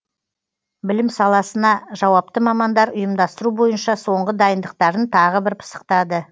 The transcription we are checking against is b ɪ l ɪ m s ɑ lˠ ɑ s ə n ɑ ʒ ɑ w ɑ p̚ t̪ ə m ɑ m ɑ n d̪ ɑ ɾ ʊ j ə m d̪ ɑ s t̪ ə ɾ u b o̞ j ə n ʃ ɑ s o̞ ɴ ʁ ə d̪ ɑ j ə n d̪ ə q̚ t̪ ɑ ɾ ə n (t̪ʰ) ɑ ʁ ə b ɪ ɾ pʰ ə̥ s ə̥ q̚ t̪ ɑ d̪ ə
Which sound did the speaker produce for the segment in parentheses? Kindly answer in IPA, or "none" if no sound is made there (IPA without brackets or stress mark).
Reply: t̪ʰ